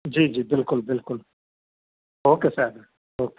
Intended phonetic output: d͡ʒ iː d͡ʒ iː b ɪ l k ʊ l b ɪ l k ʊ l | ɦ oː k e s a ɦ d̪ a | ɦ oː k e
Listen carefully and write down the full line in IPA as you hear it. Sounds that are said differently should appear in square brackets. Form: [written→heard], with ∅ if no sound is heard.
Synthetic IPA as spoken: d͡ʒ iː d͡ʒ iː b ɪ l k ʊ l b ɪ l k ʊ l | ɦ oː k e s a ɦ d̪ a | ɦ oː k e